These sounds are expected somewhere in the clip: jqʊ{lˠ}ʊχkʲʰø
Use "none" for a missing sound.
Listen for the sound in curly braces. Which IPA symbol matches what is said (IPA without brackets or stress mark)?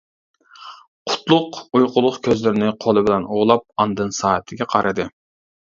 lˠ